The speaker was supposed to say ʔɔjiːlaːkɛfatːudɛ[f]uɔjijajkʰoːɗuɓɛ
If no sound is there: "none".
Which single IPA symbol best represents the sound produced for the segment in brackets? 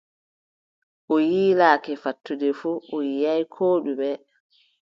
f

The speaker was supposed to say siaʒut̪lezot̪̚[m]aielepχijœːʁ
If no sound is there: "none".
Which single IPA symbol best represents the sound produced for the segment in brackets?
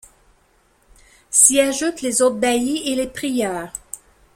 b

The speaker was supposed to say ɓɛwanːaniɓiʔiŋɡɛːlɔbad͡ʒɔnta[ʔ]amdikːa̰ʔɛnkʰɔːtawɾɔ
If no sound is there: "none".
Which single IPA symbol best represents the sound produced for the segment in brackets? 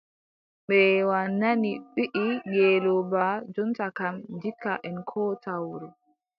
k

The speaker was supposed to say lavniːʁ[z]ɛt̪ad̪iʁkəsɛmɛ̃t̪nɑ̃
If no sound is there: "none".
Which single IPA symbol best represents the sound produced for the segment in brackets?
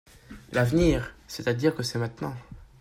s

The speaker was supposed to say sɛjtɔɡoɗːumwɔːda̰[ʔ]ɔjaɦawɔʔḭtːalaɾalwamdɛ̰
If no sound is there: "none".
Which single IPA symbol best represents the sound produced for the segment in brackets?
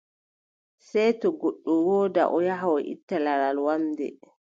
ʔ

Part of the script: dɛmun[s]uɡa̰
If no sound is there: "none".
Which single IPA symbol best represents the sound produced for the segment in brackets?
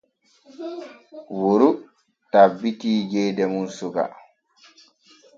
s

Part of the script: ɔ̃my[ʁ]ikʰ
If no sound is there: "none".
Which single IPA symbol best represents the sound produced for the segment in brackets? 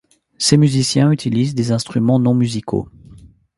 z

